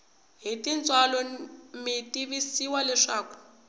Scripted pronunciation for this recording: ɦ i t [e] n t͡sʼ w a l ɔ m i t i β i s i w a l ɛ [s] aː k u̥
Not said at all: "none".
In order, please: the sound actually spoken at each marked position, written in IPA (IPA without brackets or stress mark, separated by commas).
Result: i, ʂ